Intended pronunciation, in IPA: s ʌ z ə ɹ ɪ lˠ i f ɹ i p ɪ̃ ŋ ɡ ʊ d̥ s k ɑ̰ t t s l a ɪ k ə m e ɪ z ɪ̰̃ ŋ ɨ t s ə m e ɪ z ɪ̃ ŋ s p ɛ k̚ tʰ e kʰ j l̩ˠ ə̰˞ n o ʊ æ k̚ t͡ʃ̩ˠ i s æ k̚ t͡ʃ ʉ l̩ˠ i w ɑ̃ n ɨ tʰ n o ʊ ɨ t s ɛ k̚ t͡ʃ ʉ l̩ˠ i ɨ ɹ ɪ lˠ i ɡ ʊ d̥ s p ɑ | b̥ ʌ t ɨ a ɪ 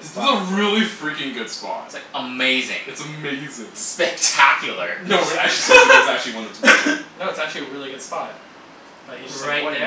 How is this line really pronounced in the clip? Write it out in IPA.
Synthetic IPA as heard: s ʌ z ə ɹ ɪ lˠ i f ɹ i k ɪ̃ ŋ ɡ ʊ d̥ s p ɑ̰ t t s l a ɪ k ə m e ɪ z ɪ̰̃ ŋ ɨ t s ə m e ɪ z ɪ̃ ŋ s p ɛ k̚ tʰ æ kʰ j l̩ˠ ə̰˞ n o ʊ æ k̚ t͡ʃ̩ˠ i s æ k̚ t͡ʃ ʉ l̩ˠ i w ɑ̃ n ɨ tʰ n o ʊ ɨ t s æ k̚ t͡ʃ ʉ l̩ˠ i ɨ ɹ ɪ lˠ i ɡ ʊ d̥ s p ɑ | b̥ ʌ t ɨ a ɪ